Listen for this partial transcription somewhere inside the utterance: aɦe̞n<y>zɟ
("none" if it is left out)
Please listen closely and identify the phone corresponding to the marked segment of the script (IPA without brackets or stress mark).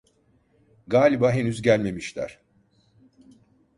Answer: y